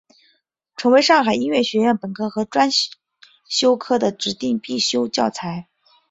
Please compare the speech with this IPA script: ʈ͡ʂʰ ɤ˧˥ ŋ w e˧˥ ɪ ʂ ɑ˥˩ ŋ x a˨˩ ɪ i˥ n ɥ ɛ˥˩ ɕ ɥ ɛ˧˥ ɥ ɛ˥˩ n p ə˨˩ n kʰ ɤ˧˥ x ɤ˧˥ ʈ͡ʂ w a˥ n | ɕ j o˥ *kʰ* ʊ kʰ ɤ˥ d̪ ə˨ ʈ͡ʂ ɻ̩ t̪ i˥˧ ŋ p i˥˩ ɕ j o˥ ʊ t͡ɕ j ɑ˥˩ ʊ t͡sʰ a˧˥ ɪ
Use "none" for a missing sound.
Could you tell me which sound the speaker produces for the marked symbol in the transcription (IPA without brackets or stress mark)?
none